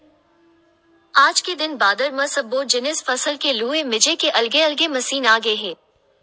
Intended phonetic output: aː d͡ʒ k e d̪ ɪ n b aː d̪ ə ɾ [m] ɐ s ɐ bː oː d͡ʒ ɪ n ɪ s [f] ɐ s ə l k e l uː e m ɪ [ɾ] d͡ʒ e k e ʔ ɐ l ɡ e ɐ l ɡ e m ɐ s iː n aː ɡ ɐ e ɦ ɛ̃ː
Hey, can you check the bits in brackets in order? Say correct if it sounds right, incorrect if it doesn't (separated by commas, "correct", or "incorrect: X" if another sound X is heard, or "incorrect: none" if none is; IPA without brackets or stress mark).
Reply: correct, correct, incorrect: none